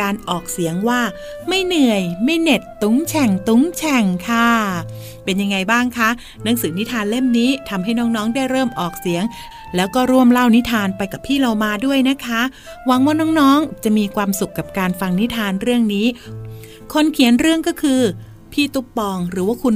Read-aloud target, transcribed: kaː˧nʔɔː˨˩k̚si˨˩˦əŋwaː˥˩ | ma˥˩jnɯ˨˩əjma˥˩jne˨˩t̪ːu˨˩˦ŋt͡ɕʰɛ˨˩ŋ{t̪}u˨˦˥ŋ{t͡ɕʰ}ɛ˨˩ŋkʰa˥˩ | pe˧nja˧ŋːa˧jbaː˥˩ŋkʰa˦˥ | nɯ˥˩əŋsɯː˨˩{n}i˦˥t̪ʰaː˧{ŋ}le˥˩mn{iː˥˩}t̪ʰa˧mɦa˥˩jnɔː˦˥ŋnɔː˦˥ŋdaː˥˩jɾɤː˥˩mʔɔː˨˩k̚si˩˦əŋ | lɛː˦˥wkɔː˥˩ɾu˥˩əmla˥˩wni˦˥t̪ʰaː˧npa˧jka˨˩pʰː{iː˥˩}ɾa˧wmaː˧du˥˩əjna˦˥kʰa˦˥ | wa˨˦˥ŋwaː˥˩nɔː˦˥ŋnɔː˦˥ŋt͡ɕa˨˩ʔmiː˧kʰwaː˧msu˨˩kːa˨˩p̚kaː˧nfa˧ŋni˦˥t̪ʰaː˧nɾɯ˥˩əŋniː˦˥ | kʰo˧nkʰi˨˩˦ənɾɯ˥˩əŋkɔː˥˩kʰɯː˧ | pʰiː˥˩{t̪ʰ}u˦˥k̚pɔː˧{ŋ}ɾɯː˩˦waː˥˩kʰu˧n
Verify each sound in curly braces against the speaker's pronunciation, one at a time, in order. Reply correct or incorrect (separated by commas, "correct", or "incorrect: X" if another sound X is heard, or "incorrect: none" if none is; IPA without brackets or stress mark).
correct, correct, correct, incorrect: n, incorrect: iː˦˥, correct, incorrect: t̪, correct